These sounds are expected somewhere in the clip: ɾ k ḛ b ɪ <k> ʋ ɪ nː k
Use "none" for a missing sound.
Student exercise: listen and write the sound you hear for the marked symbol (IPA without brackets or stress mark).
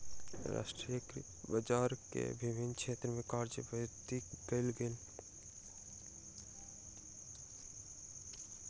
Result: none